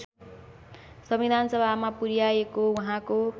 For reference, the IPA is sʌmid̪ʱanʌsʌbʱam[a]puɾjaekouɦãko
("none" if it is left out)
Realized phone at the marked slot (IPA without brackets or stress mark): a